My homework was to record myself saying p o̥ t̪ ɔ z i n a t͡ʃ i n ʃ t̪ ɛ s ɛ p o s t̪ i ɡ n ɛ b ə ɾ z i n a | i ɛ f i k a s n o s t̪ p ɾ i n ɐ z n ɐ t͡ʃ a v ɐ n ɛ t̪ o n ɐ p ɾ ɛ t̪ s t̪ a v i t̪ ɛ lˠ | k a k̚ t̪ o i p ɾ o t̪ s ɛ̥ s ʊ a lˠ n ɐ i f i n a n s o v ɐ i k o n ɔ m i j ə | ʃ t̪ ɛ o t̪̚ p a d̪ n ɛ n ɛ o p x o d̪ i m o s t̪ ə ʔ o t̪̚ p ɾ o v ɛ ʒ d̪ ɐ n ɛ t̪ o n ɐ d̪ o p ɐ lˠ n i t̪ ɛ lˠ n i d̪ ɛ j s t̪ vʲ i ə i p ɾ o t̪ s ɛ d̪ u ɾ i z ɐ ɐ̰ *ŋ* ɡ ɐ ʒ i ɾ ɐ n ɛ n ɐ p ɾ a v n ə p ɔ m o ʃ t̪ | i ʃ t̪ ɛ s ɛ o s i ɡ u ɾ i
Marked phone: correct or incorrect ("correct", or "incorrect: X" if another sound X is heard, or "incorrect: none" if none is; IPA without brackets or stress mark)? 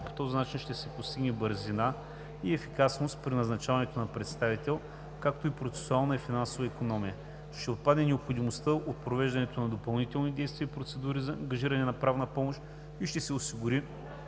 correct